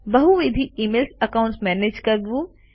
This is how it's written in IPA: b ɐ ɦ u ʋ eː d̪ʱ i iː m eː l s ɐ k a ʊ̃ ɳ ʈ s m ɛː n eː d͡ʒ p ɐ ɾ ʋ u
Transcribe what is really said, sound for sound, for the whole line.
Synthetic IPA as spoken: b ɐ ɦ u ʋ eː d̪ʱ i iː m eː l s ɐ k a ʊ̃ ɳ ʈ s m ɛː n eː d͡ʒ k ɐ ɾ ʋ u